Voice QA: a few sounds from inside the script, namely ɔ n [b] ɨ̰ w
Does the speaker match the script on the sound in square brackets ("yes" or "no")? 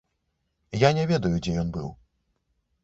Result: yes